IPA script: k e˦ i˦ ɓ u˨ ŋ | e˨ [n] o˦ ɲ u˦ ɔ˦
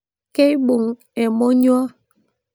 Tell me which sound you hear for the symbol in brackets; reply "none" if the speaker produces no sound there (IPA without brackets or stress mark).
m